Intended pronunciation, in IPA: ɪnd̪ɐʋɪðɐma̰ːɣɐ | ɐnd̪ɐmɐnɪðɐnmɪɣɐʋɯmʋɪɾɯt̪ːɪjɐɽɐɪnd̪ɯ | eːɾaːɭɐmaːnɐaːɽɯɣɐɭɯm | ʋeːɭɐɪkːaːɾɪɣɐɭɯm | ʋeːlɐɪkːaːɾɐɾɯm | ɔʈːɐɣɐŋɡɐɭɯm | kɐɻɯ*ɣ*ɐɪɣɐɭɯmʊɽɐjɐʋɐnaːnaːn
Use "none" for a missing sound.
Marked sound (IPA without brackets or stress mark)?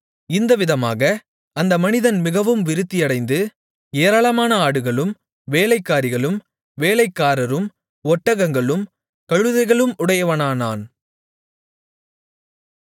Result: ð